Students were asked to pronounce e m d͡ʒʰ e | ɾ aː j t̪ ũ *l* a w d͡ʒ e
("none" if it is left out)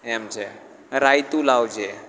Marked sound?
l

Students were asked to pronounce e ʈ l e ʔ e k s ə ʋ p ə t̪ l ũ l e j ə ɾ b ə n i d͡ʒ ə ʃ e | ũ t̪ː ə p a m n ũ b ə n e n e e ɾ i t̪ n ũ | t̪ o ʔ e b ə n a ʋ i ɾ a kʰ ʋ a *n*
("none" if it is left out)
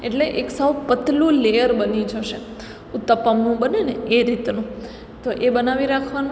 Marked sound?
n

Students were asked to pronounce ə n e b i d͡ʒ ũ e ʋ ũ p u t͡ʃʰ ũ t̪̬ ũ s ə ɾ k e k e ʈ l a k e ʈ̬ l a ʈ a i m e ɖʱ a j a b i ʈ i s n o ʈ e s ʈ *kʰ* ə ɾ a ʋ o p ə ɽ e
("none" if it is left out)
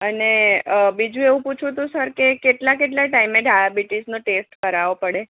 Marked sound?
k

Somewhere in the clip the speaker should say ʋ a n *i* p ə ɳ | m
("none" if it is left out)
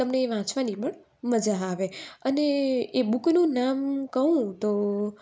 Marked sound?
i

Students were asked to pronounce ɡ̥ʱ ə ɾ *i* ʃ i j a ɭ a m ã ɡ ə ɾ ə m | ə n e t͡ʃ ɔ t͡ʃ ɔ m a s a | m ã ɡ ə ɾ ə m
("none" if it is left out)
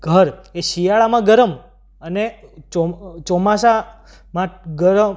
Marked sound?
e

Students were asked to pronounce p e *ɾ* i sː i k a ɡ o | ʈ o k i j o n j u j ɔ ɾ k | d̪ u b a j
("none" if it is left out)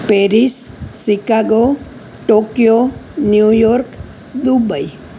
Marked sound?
ɾ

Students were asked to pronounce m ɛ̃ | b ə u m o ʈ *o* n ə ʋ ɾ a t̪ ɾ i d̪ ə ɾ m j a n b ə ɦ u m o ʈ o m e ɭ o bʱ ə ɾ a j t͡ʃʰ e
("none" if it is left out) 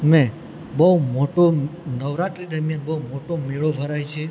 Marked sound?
o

